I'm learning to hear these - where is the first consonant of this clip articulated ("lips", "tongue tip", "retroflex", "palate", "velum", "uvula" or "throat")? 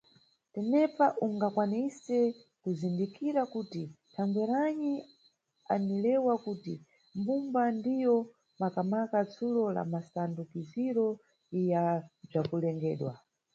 tongue tip